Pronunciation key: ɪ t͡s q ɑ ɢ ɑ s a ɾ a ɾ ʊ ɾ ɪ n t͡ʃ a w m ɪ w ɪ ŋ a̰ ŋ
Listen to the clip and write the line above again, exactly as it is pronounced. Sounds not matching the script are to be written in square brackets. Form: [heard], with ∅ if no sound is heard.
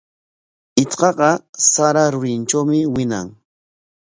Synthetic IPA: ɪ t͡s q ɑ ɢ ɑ s a ɾ a ɾ ʊ ɾ ɪ n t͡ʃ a w m ɪ w ɪ [n] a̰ ŋ

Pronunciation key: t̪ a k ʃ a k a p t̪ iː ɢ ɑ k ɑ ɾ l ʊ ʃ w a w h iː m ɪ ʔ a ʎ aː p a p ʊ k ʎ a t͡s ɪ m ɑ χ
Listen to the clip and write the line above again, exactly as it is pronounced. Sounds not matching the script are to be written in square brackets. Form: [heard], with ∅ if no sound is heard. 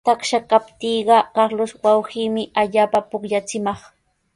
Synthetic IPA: t̪ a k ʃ a k a p t̪ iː ɢ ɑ k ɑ ɾ l ʊ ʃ w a w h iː m ɪ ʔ a ʎ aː p a p ʊ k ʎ a t͡s ɪ m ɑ χ

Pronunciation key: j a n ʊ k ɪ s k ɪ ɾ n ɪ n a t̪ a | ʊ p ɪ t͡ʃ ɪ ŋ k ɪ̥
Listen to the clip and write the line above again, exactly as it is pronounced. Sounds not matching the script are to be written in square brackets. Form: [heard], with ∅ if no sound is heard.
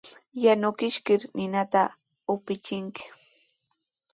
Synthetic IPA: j a n ʊ k ɪ [ʃ] k ɪ ɾ n ɪ n a t̪ a | ʊ p ɪ t͡ʃ ɪ ŋ k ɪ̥

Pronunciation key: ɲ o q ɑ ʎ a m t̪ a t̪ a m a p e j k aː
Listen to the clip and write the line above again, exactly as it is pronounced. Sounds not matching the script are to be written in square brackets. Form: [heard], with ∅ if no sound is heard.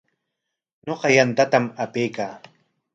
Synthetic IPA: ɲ o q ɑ [j] a [n] t̪ a t̪ a m a p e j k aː

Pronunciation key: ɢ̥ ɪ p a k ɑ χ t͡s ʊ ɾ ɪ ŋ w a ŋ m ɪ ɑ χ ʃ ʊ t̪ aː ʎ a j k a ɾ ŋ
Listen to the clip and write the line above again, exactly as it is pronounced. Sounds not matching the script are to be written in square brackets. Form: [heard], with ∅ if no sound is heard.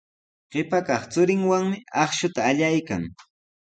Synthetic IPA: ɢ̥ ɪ p a k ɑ χ t͡s ʊ ɾ ɪ ŋ w a ŋ m ɪ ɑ χ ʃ ʊ t̪ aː ʎ a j k a [∅] ŋ

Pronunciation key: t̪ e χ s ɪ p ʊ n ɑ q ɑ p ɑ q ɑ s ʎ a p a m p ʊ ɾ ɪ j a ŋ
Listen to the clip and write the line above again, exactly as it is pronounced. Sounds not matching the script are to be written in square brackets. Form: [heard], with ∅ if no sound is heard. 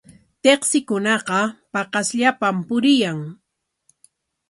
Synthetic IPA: t̪ e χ s ɪ [k] ʊ n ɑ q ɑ p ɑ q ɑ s ʎ a p a m p ʊ ɾ ɪ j a ŋ

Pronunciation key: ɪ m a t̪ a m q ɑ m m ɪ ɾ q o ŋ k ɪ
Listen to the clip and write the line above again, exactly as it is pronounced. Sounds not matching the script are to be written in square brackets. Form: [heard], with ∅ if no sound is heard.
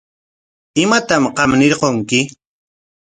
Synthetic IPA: ɪ m a t̪ a m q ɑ m [n] ɪ ɾ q o ŋ k ɪ

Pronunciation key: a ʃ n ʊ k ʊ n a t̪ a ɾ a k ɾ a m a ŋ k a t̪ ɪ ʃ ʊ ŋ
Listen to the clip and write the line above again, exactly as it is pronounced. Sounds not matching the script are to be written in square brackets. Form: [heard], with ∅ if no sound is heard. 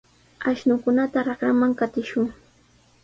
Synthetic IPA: a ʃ n ʊ k ʊ n a t̪ a ɾ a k ɾ a m a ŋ k a t̪ ɪ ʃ ʊ ŋ

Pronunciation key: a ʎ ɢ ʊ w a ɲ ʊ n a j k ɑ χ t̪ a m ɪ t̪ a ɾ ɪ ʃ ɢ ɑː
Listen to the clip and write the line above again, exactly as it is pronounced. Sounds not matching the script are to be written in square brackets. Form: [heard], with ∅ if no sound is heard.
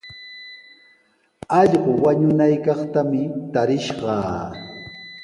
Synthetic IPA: [ɑ] ʎ ɢ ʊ w a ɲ ʊ n a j k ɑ χ t̪ a m ɪ t̪ a ɾ ɪ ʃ ɢ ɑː

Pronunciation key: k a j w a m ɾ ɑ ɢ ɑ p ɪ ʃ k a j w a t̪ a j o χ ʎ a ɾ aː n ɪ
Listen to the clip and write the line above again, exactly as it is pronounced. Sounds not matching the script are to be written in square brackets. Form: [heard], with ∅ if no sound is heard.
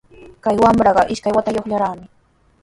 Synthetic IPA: k a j w a m ɾ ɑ ɢ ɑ [ʔ] ɪ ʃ k a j w a t̪ a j o χ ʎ a ɾ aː [m] ɪ

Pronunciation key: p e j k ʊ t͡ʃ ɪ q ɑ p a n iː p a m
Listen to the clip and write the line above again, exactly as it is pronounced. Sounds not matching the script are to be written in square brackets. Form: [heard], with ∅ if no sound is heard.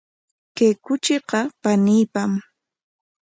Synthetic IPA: [k] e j k ʊ t͡ʃ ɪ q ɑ p a n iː p a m

